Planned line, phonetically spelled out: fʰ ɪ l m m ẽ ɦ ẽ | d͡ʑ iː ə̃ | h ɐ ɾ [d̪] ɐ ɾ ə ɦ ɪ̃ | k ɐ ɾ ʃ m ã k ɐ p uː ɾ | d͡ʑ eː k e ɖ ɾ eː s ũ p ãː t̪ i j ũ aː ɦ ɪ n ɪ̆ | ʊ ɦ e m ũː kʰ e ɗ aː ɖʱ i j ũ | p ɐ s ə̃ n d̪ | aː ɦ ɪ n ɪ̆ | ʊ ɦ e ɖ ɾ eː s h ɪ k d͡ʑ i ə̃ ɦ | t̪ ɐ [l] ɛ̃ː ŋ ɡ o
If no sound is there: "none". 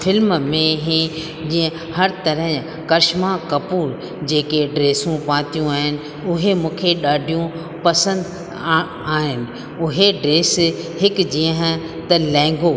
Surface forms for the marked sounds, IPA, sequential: t̪, l

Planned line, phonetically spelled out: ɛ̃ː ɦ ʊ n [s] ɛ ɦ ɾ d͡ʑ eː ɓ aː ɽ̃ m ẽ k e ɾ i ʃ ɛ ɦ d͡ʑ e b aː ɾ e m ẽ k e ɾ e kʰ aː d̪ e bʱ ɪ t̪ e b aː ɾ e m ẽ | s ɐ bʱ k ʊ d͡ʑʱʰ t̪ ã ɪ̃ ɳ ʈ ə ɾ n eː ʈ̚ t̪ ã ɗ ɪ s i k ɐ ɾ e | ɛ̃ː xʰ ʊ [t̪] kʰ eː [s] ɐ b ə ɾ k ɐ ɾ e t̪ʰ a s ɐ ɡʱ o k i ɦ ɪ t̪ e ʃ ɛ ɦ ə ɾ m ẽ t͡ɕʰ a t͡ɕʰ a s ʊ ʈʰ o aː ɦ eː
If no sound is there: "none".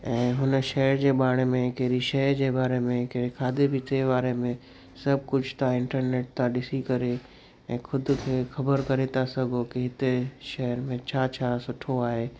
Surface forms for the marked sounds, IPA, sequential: ʃ, d̪, x

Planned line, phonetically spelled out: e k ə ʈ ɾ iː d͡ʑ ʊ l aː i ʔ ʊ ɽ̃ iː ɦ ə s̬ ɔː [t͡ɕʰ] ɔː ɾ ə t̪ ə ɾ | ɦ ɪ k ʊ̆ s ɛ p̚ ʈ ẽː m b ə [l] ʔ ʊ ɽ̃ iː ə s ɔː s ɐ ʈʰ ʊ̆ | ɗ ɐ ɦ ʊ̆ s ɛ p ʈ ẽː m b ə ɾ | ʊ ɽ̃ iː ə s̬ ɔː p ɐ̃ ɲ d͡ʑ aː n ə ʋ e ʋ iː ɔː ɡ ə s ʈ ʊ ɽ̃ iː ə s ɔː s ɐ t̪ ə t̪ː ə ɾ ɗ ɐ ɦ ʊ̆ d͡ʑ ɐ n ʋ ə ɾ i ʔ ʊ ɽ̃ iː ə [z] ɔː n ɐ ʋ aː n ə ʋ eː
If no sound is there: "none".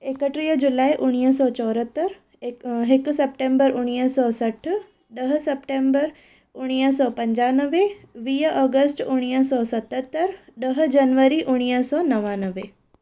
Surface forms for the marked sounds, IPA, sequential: t͡ɕ, ɾ, s

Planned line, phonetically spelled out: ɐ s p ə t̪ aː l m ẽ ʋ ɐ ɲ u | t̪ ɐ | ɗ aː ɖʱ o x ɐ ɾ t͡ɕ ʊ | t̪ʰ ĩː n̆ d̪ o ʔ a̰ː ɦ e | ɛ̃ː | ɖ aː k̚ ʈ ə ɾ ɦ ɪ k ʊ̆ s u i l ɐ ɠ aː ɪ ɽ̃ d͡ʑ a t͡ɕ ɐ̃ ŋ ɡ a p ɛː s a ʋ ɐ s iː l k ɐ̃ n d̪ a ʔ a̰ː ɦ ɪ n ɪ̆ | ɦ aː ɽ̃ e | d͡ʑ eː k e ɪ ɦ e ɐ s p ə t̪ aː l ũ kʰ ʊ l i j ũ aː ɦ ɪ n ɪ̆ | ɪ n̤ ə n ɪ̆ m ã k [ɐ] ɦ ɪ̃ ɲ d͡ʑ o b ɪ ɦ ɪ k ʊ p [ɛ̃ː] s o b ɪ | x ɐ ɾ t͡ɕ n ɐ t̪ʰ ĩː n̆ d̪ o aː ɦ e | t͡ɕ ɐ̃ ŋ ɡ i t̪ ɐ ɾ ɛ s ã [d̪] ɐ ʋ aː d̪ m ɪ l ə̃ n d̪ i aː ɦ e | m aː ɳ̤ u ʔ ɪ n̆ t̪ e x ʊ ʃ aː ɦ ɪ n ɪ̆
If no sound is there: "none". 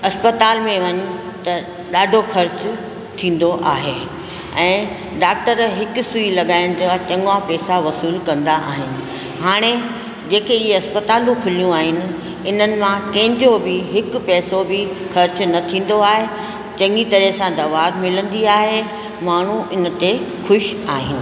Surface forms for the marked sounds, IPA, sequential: ɐ̃, ɛː, d̪

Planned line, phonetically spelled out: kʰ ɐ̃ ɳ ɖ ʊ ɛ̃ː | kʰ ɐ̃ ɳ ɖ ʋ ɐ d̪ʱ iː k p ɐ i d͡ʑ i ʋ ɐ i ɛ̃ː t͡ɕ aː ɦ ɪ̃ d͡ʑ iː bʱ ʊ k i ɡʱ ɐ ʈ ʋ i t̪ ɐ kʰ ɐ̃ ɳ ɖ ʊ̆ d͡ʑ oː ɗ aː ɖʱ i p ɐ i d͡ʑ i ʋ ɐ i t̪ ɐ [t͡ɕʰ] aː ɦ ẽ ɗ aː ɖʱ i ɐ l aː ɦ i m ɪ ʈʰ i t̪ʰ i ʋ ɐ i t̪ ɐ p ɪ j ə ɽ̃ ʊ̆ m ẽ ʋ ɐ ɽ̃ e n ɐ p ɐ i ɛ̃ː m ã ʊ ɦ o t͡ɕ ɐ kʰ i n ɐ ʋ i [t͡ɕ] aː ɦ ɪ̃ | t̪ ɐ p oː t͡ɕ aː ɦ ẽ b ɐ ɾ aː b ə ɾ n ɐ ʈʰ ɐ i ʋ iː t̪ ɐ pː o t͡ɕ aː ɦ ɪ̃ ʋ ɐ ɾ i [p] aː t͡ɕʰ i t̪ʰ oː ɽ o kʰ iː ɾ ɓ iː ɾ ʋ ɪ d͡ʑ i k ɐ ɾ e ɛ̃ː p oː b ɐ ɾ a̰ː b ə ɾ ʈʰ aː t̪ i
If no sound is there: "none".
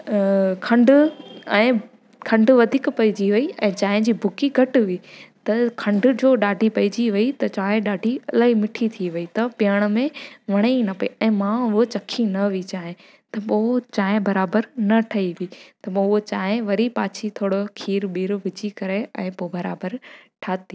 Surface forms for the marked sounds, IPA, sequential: t͡ɕ, t͡ɕ, p

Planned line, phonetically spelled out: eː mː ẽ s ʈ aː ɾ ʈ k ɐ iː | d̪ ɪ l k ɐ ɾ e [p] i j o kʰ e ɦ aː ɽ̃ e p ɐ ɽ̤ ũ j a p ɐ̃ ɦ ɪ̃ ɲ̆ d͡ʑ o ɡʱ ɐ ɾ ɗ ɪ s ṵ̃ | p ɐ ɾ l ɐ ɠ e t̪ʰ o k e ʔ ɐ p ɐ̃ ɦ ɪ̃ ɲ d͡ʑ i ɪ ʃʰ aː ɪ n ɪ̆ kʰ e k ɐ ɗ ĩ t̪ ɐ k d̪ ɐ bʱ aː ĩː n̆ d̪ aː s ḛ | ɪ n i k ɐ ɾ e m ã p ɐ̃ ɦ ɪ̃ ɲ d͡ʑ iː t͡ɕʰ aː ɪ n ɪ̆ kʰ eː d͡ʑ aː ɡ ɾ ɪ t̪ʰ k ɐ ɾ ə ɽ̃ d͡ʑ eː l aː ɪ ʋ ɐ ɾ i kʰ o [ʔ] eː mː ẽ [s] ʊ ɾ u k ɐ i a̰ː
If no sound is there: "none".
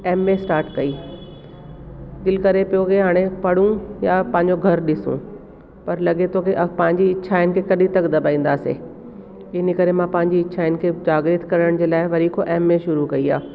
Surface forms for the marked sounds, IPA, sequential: p, ʔ, ʃ

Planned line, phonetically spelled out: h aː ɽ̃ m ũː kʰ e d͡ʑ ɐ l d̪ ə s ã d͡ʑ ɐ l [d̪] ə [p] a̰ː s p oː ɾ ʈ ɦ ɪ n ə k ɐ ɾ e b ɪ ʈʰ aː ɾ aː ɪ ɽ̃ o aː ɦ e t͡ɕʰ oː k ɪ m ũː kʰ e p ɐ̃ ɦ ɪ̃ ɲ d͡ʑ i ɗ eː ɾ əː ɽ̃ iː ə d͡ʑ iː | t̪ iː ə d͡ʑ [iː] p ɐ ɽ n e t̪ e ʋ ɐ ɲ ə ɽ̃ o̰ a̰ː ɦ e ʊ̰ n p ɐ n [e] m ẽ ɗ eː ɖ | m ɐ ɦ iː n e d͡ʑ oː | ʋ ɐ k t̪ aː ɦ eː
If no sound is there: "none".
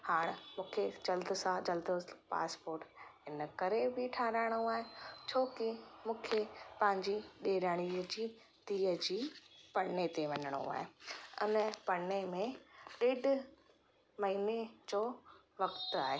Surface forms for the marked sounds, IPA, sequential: d̪, p, iː, e

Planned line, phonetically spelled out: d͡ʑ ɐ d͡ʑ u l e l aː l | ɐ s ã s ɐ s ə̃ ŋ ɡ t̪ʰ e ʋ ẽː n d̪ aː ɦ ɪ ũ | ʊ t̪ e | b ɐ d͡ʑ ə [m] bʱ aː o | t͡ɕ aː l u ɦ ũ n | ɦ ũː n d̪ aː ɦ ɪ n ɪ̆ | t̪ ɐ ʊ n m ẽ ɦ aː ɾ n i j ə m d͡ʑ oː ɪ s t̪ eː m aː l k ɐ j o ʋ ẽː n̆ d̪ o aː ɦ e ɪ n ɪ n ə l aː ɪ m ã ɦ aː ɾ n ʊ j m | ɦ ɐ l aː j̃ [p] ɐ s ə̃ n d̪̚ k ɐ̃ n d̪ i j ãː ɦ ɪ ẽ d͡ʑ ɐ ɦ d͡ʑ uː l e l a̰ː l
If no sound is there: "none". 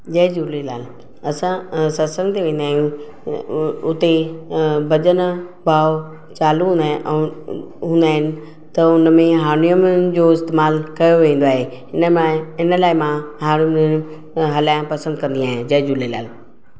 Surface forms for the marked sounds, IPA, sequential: n, p

